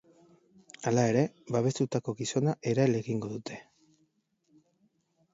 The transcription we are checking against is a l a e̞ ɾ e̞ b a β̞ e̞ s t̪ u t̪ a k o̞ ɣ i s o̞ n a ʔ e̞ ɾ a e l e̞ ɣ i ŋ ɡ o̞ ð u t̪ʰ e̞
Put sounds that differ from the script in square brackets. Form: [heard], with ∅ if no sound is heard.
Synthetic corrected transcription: a l a e̞ ɾ e̞ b a β̞ e̞ s t̪ u t̪ a k o̞ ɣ i s o̞ n a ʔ e̞ ɾ a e l e̞ ɣ i ŋ ɡ o̞ ð u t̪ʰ e̞